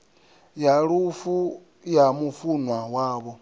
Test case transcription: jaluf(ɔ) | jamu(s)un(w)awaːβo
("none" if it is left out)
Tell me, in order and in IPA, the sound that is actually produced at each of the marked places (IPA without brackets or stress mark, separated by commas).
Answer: u, f, w